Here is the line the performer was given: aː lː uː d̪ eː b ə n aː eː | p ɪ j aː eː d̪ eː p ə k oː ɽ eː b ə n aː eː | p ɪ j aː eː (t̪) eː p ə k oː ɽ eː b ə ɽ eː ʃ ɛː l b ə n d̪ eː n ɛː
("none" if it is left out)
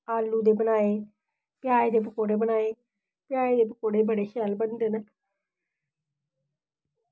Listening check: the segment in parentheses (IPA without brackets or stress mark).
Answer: d̪